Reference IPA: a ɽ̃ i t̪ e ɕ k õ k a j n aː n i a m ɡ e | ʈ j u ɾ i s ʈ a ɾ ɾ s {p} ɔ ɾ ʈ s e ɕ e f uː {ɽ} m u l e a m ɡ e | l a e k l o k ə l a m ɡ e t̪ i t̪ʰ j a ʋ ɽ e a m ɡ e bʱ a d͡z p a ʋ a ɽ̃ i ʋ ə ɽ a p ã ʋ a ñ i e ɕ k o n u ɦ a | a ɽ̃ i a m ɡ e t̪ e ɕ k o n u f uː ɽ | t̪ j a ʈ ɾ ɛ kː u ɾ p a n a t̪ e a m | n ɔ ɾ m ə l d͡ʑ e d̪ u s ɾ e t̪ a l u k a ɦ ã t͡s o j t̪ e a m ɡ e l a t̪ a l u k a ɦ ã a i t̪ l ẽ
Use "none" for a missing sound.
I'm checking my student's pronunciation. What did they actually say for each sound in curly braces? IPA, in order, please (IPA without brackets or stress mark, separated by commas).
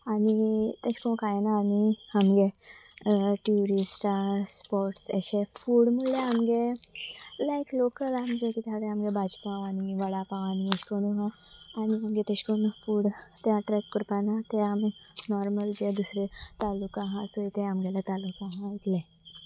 p, ɽ